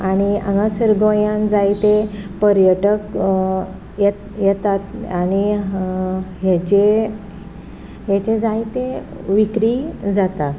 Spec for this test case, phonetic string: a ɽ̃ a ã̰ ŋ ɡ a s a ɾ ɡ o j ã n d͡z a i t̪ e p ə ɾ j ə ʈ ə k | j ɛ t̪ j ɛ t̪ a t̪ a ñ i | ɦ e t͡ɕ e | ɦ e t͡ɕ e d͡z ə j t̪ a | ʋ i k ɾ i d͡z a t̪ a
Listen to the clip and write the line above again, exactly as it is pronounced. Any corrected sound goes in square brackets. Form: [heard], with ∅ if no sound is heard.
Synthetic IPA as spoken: a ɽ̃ [i] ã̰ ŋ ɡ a s [ə] ɾ ɡ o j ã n d͡z a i t̪ e p ə ɾ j ə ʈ ə k | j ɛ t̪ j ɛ t̪ a t̪ a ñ i | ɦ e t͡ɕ e | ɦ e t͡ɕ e d͡z [a] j t̪ [e] | ʋ i k ɾ i d͡z a t̪ a